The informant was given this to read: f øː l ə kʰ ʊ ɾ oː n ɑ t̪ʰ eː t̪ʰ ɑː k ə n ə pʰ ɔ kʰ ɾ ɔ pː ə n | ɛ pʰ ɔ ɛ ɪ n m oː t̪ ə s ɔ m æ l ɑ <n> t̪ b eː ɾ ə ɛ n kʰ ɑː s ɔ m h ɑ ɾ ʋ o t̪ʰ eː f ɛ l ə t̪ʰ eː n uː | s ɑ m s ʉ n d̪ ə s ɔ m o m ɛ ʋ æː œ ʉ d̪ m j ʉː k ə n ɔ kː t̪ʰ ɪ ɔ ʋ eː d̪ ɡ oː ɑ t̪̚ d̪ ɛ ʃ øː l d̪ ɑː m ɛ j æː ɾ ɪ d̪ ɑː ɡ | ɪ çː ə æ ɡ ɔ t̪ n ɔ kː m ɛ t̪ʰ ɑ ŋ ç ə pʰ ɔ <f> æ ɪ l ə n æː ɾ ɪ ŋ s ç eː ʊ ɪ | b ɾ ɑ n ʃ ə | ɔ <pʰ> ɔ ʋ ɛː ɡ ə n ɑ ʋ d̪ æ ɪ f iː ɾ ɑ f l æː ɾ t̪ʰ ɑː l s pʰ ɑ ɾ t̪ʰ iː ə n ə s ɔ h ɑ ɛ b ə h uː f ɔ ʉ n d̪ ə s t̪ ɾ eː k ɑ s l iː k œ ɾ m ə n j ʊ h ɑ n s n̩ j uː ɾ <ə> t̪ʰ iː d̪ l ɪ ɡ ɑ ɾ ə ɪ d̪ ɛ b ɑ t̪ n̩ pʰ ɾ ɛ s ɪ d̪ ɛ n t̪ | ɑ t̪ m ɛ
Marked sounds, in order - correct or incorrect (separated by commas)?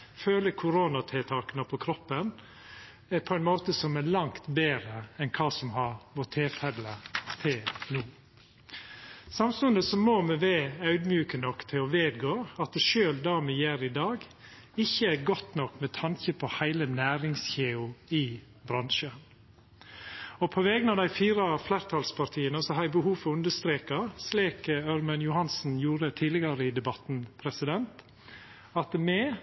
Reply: incorrect, incorrect, correct, correct